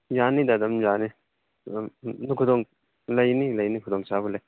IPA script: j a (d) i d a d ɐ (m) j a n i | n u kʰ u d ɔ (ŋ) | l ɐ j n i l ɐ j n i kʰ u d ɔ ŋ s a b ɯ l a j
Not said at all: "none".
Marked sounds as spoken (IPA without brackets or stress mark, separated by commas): n, m, ŋ